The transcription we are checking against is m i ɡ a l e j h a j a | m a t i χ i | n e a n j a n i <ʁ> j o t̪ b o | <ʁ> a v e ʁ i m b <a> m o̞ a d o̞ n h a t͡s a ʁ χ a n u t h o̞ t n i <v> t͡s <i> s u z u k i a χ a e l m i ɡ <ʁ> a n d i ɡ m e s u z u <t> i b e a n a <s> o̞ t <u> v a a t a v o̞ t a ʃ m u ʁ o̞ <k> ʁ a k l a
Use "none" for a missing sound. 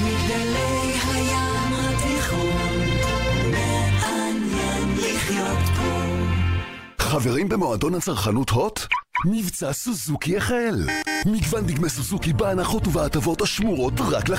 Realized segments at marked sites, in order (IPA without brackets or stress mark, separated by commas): χ, χ, e, v, a, v, k, χ, u, t